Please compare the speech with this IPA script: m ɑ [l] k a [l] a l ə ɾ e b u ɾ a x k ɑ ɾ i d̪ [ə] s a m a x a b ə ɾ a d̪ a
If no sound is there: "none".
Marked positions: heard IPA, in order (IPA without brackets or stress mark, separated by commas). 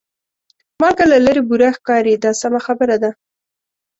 l, l, ɑ